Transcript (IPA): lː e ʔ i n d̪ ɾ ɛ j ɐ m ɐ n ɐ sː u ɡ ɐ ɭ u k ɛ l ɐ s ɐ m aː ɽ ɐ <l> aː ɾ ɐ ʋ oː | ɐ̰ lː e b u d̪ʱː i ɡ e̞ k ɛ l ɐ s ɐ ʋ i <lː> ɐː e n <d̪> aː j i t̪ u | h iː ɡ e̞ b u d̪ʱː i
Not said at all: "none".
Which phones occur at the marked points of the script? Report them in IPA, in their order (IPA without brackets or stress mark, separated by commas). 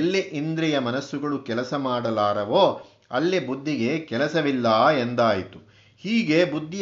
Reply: l, lː, d̪